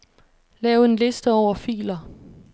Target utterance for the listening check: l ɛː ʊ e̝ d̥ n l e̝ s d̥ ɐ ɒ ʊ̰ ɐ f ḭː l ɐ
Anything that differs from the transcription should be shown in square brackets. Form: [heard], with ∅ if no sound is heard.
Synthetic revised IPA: l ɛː ʊ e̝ [∅] n l e̝ s d̥ [ə] ɒ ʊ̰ ɐ f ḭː l ɐ